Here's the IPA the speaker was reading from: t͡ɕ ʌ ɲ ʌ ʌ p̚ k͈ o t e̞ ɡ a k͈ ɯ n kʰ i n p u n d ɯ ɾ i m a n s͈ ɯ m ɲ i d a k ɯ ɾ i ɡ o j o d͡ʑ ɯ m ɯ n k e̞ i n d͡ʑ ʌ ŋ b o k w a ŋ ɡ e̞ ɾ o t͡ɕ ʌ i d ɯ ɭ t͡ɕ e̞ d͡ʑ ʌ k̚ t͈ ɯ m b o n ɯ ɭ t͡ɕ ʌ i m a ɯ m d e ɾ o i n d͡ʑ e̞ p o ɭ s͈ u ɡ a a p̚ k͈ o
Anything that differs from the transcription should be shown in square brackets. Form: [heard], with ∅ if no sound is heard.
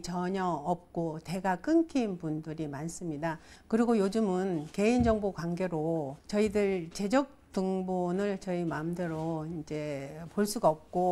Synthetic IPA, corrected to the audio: t͡ɕ ʌ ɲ ʌ ʌ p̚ k͈ o t e̞ ɡ a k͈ ɯ n kʰ i n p u n d ɯ ɾ i m a n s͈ ɯ m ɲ i d a k ɯ ɾ i ɡ o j o d͡ʑ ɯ m ɯ n k e̞ i n d͡ʑ ʌ ŋ b o k w a ŋ ɡ e̞ ɾ o t͡ɕ ʌ i d ɯ ɭ t͡ɕ e̞ d͡ʑ ʌ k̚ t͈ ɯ [ŋ] b o n ɯ ɭ t͡ɕ ʌ i m a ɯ m d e ɾ o i n d͡ʑ e̞ p o ɭ s͈ u ɡ a [ʌ] p̚ k͈ o